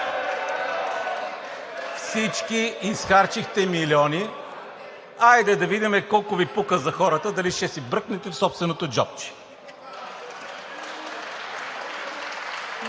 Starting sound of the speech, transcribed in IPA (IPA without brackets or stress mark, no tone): f